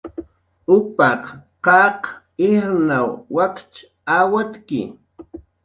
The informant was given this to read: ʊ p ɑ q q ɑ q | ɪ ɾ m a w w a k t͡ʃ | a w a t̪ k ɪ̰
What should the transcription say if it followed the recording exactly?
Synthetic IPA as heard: ʊ p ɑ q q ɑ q | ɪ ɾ n a w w a k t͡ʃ | a w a t̪ k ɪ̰